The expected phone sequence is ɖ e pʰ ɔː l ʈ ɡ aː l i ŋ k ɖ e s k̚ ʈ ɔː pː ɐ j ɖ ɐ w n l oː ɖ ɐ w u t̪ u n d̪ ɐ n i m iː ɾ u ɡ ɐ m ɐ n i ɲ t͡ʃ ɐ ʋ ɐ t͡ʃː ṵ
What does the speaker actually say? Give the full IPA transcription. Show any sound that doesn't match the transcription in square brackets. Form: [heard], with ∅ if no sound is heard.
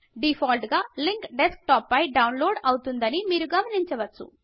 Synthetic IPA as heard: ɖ [i] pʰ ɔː l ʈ ɡ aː l i ŋ k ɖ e s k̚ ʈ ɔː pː ɐ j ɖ ɐ w n l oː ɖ ɐ w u t̪ u n d̪ ɐ n i m iː ɾ u ɡ ɐ m ɐ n i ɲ t͡ʃ ɐ ʋ ɐ t͡ʃː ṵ